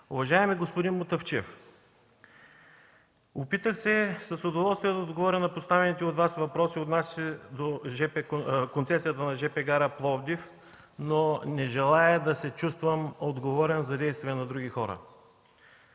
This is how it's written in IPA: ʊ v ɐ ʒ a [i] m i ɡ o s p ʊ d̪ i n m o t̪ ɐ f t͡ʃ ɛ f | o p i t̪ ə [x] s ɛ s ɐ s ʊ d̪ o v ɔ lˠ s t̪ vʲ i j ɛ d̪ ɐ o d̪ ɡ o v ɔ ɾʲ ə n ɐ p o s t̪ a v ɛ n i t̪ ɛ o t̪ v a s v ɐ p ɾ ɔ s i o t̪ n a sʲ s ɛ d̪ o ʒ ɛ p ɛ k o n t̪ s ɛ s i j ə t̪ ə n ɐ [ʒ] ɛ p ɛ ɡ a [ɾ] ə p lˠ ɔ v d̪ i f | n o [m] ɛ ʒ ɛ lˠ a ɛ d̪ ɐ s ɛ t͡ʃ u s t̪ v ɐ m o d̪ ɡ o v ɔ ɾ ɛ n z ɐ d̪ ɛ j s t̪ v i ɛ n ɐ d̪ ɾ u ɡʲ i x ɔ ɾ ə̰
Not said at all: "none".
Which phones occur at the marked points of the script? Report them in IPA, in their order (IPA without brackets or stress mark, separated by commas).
ɛ, x, ʒ, ɾ, n